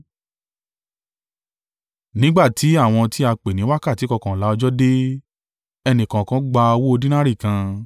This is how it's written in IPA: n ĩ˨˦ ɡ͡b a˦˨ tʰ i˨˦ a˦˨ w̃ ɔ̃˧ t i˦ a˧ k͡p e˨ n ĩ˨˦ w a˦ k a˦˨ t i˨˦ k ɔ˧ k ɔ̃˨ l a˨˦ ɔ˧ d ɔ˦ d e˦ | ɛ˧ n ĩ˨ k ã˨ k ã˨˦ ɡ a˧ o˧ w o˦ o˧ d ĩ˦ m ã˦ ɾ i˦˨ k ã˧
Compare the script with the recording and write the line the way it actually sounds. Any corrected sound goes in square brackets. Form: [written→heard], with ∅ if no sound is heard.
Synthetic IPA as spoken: n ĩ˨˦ ɡ͡b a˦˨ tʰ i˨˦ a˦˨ w̃ ɔ̃˧ t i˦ a˧ k͡p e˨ n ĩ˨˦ w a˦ k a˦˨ t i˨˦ k ɔ˧ k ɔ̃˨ l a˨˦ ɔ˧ [d→d͡ʒ] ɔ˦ d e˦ | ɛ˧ n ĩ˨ k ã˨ k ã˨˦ [ɡ→ɡ͡b] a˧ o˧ w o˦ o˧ d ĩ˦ [m→n] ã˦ ɾ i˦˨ k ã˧